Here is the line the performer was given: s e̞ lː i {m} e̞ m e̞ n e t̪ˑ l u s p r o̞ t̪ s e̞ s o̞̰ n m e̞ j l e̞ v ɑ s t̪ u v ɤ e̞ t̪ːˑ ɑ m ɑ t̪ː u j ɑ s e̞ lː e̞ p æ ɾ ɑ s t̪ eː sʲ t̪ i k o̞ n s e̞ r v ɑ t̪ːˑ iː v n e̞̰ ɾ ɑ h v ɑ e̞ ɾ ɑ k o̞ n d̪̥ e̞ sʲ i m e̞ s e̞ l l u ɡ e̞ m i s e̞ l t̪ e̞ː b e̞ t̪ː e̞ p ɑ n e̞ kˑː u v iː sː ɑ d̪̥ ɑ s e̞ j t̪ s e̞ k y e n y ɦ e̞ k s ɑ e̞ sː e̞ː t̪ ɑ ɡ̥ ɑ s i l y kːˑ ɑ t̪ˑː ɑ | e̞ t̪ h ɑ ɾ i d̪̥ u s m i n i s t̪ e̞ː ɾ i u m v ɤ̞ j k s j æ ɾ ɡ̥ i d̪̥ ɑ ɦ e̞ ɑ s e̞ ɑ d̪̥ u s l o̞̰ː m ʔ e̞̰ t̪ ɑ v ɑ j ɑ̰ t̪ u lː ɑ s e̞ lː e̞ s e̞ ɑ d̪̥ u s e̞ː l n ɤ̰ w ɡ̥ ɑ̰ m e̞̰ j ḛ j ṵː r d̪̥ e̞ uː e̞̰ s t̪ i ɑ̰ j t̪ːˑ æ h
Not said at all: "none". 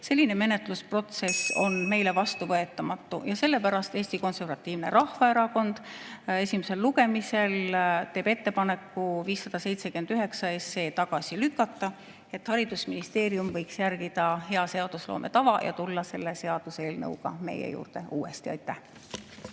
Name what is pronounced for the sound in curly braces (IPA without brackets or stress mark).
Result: n